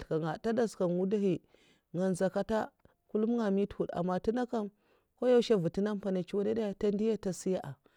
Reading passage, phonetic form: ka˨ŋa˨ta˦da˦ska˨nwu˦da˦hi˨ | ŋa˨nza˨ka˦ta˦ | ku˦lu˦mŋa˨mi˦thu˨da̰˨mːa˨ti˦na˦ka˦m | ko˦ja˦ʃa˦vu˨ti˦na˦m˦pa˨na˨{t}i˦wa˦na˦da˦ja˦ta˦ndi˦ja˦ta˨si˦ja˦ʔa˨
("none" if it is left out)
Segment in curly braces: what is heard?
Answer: t͡ʃ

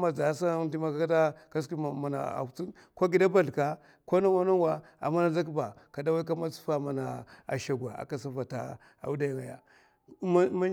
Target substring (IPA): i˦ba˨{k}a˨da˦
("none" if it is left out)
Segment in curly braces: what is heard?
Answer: k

